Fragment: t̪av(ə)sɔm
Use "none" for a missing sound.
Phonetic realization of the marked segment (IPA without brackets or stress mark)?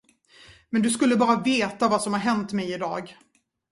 a